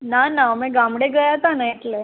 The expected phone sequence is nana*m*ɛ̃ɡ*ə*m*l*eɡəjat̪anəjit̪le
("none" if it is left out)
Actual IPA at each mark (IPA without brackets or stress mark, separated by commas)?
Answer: m, a, ɽ